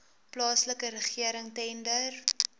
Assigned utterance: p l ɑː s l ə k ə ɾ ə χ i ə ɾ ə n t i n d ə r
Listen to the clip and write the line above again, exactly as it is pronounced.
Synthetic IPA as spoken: p l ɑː s l ə k ə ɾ ə χ i ə ɾ ə ŋ t ɛ n d ə r